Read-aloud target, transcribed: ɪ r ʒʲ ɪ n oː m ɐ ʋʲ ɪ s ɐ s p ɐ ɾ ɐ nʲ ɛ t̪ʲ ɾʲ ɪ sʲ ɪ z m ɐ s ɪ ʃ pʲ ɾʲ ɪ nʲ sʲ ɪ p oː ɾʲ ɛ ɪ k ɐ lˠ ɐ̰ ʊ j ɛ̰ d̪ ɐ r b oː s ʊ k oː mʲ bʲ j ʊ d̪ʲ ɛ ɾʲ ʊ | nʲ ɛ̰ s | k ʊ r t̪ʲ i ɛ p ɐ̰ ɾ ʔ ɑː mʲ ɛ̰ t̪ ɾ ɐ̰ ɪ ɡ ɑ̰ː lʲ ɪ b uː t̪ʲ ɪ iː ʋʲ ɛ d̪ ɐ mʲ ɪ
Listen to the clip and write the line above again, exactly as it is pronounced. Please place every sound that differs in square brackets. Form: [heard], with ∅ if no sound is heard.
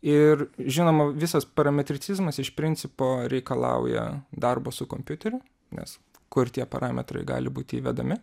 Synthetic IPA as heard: ɪ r ʒʲ ɪ n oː m ɐ ʋʲ ɪ s ɐ s p ɐ ɾ ɐ [mʲ] ɛ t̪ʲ ɾʲ ɪ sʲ ɪ z m ɐ s ɪ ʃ pʲ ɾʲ ɪ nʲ sʲ ɪ p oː ɾʲ ɛ ɪ k ɐ lˠ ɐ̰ ʊ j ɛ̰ d̪ ɐ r b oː s ʊ k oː mʲ [pʲ] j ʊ [t̪ʲ] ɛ ɾʲ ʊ | nʲ ɛ̰ s | k ʊ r t̪ʲ i ɛ p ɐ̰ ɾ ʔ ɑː mʲ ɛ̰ t̪ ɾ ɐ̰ ɪ ɡ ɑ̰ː lʲ ɪ b uː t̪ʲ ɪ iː ʋʲ ɛ d̪ ɐ mʲ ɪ